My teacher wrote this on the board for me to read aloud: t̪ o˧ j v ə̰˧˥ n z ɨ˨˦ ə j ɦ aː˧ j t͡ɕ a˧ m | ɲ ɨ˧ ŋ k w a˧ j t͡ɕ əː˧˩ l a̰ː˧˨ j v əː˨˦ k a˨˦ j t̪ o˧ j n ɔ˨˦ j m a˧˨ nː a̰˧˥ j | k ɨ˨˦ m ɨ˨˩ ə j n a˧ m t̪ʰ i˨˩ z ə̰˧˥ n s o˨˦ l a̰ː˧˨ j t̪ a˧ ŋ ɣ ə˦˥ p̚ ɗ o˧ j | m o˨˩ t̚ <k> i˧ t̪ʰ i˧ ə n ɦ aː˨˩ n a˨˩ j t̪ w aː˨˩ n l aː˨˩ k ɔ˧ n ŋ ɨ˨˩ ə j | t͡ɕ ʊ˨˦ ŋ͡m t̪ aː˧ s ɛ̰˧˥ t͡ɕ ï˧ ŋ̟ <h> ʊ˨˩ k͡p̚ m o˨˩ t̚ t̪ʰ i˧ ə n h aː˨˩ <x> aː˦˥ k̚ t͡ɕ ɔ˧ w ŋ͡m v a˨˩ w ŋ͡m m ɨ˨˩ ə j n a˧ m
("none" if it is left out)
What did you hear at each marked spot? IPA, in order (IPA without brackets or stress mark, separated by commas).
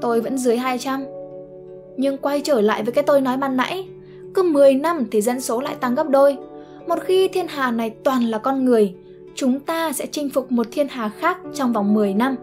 x, f, x